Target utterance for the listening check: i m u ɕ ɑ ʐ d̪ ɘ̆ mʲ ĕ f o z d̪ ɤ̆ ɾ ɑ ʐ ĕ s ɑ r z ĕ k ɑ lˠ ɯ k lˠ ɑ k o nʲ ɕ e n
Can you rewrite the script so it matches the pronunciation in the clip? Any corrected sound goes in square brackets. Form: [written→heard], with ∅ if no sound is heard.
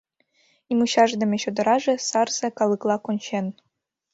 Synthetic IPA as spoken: i m u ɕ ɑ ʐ d̪ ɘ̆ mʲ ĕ [f→ɕ] o [z→∅] d̪ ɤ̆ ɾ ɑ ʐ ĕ s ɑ r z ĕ k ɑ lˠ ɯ k lˠ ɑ k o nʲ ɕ e n